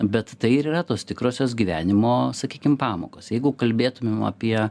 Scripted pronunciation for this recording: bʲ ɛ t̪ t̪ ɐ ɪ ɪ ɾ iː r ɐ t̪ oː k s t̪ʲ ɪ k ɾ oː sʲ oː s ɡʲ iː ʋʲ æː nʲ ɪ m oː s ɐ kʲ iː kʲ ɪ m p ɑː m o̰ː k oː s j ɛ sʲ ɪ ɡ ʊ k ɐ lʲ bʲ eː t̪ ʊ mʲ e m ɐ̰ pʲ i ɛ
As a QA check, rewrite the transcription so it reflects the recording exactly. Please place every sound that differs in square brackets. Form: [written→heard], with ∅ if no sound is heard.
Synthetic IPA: bʲ ɛ t̪ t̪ ɐ ɪ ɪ ɾ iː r ɐ t̪ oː [k→∅] s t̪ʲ ɪ k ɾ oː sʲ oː s ɡʲ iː ʋʲ æː nʲ ɪ m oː s ɐ kʲ iː kʲ ɪ m p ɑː m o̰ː k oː s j ɛ [sʲ→∅] ɪ ɡ ʊ k ɐ lʲ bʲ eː t̪ ʊ mʲ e m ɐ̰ pʲ i ɛ